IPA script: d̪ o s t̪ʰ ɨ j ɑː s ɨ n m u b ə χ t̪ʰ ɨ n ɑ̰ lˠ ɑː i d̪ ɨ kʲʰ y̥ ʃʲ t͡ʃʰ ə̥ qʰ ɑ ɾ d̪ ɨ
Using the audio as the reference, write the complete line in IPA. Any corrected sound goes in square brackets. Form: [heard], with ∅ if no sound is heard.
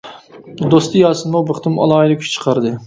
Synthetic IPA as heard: d̪ o s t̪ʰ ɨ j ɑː s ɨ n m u b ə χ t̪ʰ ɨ [m] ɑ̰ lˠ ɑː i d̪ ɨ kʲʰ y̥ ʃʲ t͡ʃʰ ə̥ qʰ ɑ ɾ d̪ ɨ